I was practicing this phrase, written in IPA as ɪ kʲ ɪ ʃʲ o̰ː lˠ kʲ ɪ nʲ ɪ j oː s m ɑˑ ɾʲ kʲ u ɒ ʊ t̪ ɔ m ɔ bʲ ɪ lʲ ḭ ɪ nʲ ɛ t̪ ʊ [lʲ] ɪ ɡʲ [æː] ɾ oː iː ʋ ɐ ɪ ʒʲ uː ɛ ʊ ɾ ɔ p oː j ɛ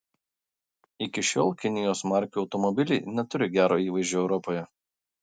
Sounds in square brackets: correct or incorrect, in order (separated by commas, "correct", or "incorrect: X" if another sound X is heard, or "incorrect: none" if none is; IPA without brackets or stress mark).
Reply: incorrect: ɾʲ, correct